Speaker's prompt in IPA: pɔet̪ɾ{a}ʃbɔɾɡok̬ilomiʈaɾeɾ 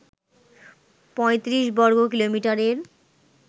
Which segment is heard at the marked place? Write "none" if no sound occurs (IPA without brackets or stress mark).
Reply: i